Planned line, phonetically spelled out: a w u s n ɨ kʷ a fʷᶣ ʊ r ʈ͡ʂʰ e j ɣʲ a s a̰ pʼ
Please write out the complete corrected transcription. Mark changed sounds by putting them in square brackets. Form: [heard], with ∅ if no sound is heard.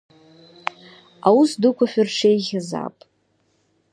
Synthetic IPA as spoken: a w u s [d] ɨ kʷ a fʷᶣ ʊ r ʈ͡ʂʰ e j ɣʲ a [z] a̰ pʼ